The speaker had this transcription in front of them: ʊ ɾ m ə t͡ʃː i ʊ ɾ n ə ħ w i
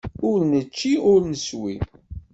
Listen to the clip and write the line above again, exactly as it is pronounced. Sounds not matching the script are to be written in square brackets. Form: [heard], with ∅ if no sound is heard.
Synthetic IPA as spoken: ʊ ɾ [n] ə t͡ʃː i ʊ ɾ n ə [s] w i